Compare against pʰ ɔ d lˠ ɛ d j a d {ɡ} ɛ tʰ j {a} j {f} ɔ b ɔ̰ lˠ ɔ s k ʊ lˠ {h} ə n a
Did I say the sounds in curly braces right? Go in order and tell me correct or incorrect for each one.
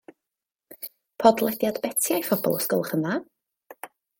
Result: incorrect: b, correct, correct, incorrect: χ

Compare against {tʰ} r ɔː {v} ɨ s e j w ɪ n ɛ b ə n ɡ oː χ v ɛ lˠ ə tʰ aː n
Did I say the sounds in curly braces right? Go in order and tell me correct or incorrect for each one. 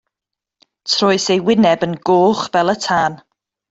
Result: correct, incorrect: none

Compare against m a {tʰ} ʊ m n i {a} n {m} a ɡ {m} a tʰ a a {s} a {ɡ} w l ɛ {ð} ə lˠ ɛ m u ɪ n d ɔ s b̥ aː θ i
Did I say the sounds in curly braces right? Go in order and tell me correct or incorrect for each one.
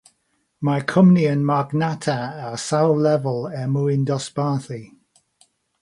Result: incorrect: kʰ, incorrect: ə, correct, incorrect: n, correct, incorrect: none, incorrect: v

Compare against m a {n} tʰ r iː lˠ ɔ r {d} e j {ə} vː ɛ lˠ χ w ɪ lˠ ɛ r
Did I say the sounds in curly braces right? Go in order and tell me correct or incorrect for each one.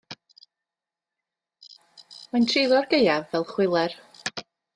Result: correct, incorrect: ɡ, incorrect: a

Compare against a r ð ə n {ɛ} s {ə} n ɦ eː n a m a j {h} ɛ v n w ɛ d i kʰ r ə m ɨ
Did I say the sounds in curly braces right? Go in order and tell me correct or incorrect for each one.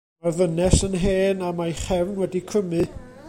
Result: correct, correct, incorrect: χ

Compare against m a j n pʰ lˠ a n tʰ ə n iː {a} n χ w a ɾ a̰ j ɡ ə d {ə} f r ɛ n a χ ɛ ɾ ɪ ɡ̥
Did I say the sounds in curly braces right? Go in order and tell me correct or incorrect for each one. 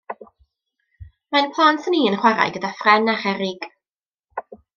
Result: incorrect: ə, incorrect: a

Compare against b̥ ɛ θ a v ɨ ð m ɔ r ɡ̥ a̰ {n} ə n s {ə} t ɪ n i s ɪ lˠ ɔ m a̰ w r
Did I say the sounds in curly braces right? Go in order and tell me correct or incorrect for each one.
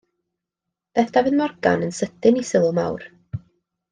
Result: correct, correct

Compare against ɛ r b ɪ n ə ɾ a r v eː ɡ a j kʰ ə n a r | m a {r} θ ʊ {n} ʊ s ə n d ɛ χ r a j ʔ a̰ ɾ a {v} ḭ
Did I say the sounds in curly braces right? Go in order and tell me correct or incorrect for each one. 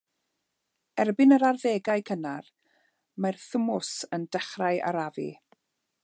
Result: correct, incorrect: m, correct

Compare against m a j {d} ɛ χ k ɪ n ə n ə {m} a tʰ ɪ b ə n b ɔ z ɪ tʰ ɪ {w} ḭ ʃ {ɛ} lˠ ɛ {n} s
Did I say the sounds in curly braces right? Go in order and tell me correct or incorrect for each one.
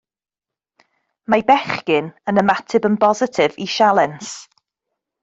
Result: incorrect: b, correct, incorrect: v, incorrect: a, correct

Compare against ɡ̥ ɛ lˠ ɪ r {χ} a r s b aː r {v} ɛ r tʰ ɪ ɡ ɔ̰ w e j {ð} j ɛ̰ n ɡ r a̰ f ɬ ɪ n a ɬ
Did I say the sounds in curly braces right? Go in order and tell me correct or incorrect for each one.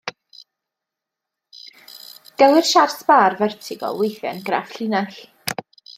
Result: incorrect: ʃ, correct, incorrect: θ

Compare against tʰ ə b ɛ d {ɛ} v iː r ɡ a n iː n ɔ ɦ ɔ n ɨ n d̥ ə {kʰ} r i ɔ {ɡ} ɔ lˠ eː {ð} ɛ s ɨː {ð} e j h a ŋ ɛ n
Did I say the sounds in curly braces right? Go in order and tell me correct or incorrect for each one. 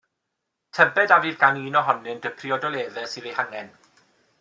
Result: incorrect: a, incorrect: pʰ, incorrect: d, correct, correct

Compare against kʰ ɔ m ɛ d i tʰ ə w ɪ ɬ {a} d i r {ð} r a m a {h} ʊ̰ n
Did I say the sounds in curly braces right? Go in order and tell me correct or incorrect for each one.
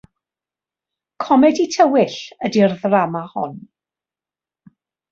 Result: incorrect: ə, correct, correct

